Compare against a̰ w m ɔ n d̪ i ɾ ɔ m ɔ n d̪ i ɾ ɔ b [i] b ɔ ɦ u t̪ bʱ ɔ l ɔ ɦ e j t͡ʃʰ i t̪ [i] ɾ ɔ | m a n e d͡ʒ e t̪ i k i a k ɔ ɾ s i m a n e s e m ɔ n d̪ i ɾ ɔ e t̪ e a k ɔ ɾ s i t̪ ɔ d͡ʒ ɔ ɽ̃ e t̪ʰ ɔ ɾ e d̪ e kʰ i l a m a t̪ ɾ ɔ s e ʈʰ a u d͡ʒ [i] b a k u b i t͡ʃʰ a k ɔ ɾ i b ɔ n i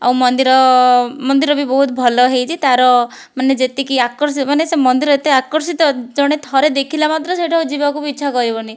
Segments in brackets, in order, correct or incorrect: correct, incorrect, correct

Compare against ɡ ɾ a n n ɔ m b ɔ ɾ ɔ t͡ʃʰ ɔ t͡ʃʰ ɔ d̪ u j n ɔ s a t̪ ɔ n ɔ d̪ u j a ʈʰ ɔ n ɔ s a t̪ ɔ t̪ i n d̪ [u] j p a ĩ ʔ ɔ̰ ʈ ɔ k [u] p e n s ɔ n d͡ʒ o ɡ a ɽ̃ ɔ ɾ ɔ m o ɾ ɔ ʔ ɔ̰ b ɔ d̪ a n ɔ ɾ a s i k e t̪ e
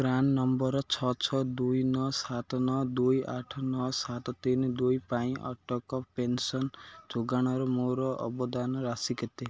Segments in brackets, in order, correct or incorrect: correct, incorrect

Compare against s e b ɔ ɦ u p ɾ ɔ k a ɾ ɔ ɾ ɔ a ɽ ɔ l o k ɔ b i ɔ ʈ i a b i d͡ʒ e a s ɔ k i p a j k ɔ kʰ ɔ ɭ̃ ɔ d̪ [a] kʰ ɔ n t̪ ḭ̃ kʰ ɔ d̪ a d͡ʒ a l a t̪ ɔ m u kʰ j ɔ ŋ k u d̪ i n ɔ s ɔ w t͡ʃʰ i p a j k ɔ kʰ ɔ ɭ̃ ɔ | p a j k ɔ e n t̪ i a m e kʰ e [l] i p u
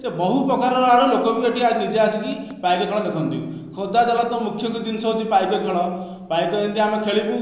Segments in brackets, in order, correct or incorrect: incorrect, incorrect

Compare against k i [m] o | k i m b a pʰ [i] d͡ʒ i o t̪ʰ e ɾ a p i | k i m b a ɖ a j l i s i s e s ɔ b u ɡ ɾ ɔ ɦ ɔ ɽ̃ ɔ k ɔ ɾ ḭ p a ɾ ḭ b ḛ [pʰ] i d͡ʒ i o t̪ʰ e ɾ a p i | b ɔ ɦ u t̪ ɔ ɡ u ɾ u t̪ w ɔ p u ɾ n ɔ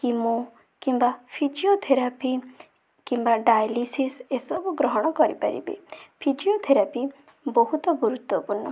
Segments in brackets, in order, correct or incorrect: correct, correct, correct

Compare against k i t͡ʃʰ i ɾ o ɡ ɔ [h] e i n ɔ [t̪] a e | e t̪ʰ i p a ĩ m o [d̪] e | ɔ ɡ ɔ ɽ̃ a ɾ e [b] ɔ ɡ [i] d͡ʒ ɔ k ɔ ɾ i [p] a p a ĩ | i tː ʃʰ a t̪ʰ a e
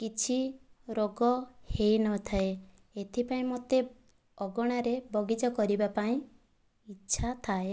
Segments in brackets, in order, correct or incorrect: correct, incorrect, incorrect, correct, correct, incorrect

